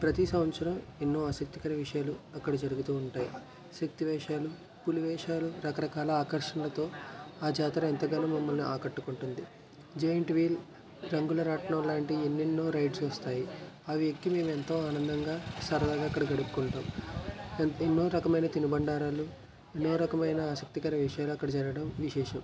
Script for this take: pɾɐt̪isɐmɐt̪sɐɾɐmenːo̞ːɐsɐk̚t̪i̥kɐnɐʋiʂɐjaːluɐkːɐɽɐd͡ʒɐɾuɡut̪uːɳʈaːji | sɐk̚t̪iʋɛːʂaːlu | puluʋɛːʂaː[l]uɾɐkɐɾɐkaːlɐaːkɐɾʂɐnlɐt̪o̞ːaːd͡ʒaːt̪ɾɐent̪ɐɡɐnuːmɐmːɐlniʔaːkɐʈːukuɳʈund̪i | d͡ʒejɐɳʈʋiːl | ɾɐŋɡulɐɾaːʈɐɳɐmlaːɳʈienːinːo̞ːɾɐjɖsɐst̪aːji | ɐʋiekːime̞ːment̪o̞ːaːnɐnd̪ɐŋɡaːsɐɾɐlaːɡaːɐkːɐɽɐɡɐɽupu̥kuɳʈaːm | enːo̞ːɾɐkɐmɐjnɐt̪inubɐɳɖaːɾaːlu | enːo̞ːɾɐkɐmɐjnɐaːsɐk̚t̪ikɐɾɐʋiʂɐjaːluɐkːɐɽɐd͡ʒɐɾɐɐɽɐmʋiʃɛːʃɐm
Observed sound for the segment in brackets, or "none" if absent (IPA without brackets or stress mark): l